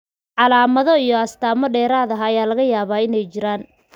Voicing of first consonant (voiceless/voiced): voiced